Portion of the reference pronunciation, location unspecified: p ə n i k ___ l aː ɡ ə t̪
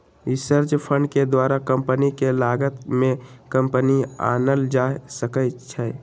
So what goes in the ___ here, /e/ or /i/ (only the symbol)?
e